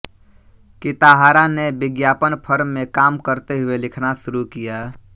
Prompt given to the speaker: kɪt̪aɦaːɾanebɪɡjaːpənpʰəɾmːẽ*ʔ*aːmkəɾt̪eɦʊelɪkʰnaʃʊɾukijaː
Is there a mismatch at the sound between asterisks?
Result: yes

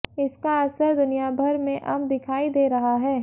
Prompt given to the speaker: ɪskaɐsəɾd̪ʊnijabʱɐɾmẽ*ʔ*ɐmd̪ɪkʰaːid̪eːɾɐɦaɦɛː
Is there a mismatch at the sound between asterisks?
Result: no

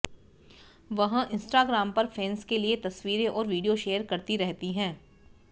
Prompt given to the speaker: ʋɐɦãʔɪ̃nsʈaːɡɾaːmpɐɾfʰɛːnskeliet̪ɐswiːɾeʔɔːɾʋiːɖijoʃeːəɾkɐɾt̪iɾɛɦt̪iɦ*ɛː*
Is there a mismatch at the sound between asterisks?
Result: yes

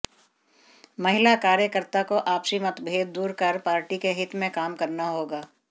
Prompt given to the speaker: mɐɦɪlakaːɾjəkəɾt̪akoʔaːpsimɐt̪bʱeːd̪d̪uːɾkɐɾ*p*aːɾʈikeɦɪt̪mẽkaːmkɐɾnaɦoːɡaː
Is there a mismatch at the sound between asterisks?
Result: no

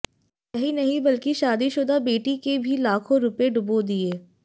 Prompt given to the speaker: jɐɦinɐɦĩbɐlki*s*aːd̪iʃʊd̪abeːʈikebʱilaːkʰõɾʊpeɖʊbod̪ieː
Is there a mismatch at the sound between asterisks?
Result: yes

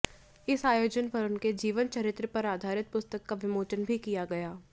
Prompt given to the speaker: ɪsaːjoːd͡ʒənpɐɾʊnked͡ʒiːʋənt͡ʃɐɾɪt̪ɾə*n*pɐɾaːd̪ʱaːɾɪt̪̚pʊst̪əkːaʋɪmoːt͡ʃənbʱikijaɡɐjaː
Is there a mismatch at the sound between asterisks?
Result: yes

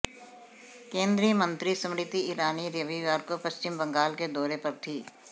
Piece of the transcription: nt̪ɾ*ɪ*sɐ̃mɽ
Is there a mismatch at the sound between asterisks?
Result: yes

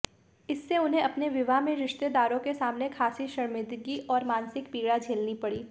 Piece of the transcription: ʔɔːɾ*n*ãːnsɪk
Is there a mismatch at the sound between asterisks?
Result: yes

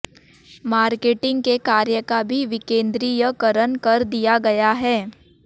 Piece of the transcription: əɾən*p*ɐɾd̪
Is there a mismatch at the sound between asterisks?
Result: yes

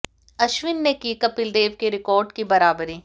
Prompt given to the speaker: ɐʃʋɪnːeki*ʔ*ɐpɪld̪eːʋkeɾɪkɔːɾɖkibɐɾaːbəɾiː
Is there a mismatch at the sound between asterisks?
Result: yes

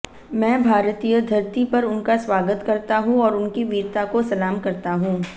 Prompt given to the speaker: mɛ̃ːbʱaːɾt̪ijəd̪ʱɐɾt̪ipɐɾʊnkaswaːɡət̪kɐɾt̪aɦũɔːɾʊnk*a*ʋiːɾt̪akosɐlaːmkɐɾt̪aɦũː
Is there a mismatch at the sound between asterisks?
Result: yes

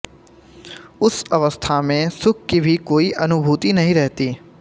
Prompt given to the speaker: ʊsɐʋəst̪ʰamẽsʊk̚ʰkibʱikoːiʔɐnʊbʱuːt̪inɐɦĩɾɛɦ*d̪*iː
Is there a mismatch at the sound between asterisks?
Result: yes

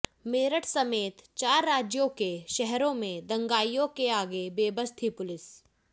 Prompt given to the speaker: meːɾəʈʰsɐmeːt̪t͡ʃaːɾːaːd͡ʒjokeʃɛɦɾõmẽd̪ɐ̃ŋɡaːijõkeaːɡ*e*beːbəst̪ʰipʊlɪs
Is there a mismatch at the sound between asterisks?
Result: no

